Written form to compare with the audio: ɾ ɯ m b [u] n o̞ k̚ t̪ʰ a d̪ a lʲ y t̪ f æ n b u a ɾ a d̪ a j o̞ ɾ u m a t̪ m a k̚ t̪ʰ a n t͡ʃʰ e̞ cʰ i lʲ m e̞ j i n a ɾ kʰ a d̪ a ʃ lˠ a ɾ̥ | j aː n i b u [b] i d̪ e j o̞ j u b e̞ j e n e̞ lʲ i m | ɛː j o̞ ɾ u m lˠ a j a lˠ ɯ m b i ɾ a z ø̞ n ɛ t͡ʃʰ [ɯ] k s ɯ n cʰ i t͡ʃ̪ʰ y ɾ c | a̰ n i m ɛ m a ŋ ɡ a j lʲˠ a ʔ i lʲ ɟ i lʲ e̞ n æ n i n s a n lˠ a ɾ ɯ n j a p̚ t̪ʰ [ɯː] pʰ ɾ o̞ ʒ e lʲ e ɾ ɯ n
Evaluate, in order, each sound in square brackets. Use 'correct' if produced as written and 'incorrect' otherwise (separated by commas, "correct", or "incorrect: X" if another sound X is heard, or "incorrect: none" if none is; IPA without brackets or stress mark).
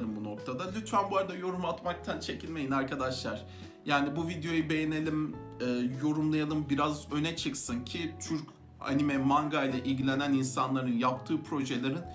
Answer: correct, incorrect: v, correct, correct